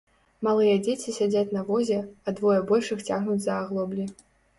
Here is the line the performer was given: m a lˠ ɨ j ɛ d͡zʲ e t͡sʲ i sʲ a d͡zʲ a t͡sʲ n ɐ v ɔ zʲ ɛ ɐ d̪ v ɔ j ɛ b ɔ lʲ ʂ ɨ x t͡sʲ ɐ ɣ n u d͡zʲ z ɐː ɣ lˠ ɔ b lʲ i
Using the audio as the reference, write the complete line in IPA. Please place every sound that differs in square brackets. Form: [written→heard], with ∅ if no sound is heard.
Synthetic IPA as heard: m a lˠ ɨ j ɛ d͡zʲ e t͡sʲ i sʲ a d͡zʲ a t͡sʲ n ɐ v ɔ zʲ ɛ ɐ d̪ v ɔ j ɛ b ɔ lʲ ʂ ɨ x t͡sʲ [ɐ→a] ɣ n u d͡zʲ z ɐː ɣ lˠ ɔ b lʲ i